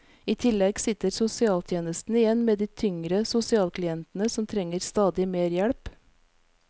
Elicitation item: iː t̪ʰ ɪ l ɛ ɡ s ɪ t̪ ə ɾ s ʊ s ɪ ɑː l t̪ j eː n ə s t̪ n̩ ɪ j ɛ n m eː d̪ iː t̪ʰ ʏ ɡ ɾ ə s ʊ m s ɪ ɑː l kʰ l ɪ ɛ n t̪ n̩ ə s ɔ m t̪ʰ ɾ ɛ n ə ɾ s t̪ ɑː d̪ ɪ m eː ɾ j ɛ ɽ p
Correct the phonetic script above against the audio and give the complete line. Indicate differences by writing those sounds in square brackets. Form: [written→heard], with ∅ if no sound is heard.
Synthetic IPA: iː t̪ʰ ɪ l ɛ ɡ s ɪ t̪ ə ɾ s ʊ s ɪ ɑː l [t̪→t̪ʰ] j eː n ə s t̪ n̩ ɪ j ɛ n m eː d̪ iː t̪ʰ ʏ [ɡ→ŋ] ɾ ə s ʊ [m→∅] s ɪ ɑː l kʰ l ɪ ɛ n t̪ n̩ ə s ɔ m t̪ʰ ɾ ɛ [n→ŋ] ə ɾ s t̪ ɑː d̪ ɪ m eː ɾ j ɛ ɽ p